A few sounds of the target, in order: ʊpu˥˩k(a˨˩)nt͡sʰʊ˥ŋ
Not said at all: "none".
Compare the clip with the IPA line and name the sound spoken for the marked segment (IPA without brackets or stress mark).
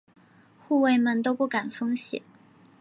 a˨˩